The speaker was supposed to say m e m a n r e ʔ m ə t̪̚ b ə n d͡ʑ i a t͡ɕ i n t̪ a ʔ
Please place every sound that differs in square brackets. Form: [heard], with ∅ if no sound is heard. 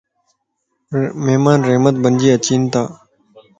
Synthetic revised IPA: m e m a n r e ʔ m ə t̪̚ b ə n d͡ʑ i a t͡ɕ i n t̪ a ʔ